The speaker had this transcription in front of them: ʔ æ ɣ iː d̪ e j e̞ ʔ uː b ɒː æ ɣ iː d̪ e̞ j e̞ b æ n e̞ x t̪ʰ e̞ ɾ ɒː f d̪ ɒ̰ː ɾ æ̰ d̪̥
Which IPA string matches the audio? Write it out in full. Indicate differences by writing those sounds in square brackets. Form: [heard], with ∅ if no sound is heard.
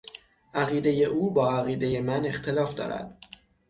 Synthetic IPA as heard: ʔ æ ɣ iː d̪ e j e̞ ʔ uː b ɒː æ ɣ iː d̪ e̞ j e̞ [m] æ n e̞ x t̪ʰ e̞ [l] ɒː f d̪ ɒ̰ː ɾ æ̰ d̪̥